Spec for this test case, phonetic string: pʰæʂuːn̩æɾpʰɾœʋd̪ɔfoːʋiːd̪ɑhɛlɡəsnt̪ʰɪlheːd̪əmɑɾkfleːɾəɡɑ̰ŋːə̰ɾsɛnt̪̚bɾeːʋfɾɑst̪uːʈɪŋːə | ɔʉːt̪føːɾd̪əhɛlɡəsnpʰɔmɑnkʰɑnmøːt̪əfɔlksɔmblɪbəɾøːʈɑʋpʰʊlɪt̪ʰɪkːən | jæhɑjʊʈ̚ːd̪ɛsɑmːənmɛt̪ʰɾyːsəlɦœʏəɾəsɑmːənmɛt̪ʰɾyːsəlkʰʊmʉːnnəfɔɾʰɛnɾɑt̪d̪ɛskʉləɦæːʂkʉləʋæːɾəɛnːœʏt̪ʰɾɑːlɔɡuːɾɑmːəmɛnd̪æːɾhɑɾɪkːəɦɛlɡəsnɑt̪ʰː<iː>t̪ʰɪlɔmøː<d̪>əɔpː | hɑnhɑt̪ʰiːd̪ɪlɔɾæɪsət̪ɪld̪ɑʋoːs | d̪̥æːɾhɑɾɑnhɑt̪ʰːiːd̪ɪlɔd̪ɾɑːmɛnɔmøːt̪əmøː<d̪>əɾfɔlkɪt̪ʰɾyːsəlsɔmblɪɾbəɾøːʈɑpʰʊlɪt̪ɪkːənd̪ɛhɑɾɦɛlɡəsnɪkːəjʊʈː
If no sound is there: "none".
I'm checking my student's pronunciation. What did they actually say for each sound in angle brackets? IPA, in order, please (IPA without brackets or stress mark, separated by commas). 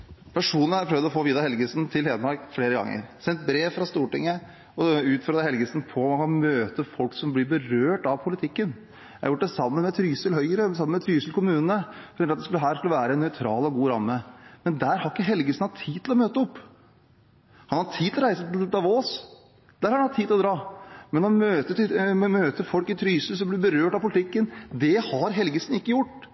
iː, t̪, t̪